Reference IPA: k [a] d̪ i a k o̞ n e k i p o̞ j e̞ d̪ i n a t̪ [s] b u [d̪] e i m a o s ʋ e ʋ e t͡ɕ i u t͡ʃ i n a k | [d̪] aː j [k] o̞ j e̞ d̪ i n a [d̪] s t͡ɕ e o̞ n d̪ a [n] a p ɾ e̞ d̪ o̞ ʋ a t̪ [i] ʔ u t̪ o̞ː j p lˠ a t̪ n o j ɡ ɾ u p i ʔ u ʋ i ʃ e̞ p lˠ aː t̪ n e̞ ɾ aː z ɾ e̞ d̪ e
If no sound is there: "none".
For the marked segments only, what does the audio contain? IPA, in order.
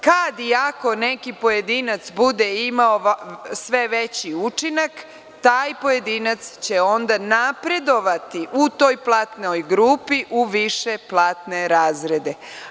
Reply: a, s, d̪, t̪, p, t̪, n, i

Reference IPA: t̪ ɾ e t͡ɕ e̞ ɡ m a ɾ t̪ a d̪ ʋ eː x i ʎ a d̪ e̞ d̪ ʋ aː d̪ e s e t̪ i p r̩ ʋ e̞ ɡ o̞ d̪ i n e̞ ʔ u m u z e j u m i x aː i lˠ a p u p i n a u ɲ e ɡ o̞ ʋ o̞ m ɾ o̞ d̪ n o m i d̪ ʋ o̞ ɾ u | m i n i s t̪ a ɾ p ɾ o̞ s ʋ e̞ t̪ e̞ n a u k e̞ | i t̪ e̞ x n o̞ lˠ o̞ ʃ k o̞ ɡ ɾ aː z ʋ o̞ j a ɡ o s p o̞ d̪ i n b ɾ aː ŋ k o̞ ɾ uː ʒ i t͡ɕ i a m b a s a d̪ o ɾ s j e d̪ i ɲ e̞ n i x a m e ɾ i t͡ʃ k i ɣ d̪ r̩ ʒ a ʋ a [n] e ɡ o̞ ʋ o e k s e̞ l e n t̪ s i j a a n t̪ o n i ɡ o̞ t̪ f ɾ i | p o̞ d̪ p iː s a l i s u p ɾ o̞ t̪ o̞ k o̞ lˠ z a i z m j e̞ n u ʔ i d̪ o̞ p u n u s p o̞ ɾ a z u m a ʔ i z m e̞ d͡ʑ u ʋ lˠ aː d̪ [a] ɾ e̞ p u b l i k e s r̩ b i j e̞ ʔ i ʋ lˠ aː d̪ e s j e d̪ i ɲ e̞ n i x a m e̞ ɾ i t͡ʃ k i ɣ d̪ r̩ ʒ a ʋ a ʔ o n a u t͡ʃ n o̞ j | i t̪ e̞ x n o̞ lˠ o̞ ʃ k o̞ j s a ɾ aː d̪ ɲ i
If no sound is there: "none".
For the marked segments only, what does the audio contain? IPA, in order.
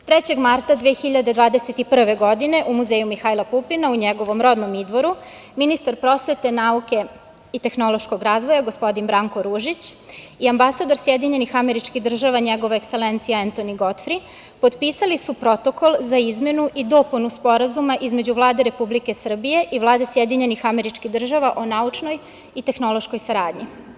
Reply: ɲ, e

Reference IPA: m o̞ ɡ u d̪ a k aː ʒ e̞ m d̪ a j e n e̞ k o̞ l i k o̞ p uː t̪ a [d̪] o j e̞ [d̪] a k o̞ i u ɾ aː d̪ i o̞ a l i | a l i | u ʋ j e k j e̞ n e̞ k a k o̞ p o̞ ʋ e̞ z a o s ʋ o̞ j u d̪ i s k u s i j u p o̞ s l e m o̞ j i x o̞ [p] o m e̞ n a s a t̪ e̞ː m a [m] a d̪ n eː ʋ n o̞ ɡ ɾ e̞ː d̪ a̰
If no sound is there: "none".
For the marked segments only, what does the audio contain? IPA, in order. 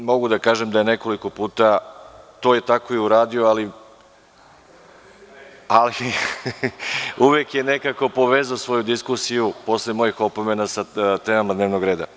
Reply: t̪, t̪, p, m

